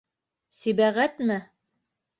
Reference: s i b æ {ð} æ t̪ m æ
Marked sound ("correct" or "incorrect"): incorrect